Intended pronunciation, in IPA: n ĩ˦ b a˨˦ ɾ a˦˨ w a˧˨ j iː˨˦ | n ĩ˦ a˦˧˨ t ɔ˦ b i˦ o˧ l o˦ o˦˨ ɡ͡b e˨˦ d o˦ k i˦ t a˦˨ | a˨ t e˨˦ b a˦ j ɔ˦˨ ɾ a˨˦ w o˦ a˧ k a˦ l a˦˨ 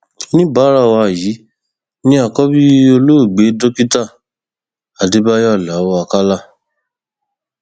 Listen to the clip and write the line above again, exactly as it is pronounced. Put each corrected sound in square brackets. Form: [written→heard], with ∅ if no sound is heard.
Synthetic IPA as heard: n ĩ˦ b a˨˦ ɾ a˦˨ w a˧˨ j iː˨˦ | n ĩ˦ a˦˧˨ [t→k] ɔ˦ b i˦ o˧ l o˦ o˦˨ ɡ͡b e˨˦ d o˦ k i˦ t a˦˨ | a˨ [t→d] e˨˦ b a˦ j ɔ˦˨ [ɾ→l] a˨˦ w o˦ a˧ k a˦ l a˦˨